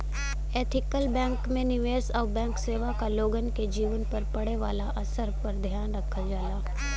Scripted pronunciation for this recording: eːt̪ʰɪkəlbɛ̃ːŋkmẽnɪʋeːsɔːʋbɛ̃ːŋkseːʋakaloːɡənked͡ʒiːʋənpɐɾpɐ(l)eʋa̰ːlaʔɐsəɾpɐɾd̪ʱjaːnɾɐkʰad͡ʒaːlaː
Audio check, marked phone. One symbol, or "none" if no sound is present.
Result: ɽ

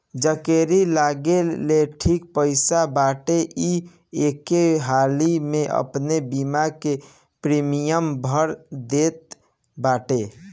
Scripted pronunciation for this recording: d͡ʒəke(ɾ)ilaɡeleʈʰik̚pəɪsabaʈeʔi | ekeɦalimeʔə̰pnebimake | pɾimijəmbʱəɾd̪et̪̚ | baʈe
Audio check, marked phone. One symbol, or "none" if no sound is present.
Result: ɾ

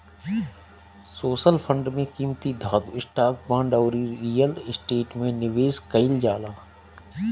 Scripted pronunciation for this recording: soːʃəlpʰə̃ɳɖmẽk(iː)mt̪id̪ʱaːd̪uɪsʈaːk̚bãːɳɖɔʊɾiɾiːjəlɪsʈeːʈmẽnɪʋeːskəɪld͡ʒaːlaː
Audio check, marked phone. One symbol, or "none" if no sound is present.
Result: iː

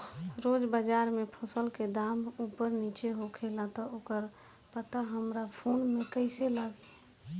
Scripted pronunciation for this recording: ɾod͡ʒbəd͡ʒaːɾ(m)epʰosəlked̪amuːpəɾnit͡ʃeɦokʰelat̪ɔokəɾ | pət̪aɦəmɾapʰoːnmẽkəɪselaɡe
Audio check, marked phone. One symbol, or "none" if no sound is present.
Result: m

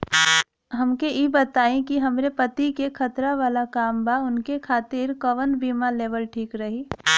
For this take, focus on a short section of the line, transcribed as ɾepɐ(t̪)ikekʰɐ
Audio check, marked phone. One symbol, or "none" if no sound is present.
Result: t̪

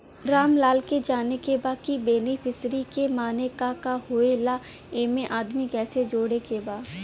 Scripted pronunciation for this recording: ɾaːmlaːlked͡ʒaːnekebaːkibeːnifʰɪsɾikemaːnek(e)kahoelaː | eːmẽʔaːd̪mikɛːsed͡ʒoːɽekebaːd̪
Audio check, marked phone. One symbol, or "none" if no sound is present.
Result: a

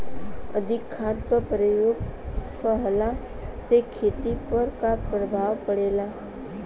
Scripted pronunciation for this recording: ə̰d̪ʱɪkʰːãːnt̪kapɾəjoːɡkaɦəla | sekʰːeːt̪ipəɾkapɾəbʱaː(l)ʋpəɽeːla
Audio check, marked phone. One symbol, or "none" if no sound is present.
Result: none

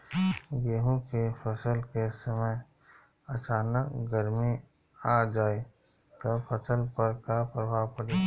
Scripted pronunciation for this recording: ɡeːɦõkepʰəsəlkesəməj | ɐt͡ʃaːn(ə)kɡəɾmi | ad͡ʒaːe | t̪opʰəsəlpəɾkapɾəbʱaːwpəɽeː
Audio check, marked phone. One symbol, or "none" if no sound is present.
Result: ə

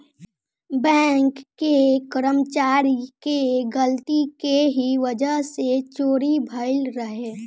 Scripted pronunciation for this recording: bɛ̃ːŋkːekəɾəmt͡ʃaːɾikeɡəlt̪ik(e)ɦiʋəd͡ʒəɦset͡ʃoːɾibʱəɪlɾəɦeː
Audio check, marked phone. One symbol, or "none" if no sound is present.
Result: e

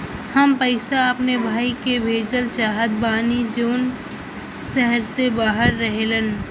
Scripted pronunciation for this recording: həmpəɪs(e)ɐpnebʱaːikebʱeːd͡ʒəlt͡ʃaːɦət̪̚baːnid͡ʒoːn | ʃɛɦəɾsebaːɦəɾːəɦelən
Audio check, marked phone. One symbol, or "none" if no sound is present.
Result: a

